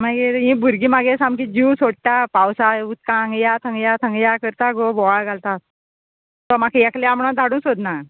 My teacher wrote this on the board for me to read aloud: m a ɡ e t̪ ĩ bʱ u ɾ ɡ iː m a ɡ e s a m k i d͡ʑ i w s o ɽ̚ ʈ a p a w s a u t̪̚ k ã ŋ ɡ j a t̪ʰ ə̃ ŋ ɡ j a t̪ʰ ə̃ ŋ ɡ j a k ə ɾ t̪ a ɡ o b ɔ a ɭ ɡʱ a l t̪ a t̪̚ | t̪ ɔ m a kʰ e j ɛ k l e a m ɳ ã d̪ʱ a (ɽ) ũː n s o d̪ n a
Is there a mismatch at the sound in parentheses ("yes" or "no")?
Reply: no